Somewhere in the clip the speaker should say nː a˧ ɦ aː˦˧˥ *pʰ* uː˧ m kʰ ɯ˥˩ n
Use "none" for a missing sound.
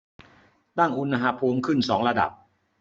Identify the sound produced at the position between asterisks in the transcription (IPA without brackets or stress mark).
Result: pʰ